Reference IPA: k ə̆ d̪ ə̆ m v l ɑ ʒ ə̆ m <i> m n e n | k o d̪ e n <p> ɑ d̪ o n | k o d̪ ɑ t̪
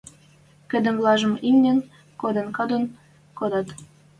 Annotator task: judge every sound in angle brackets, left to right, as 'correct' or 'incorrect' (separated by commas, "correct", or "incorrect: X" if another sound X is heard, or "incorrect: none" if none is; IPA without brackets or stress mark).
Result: correct, incorrect: k